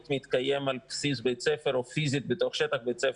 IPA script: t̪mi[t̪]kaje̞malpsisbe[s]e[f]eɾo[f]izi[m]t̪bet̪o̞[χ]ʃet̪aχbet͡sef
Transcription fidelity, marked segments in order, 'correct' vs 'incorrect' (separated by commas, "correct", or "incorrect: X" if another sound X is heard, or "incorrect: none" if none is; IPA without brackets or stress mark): correct, incorrect: t͡s, correct, correct, incorrect: none, correct